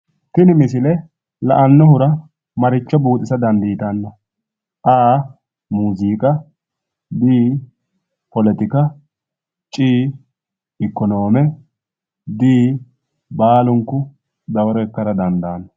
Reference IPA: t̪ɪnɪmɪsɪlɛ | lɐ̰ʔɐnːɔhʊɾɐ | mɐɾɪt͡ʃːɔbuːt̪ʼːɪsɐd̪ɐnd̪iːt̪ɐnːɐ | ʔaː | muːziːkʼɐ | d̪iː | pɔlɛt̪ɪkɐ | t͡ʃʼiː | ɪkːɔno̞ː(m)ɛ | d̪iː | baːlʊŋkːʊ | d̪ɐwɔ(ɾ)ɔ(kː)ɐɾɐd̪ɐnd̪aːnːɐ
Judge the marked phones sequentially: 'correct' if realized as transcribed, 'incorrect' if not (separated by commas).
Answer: correct, correct, correct